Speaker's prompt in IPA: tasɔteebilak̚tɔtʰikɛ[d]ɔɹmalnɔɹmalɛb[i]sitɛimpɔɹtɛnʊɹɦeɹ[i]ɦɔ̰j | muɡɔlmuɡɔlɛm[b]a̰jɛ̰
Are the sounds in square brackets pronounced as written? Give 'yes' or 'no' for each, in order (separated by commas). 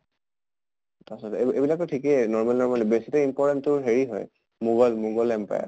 no, no, yes, no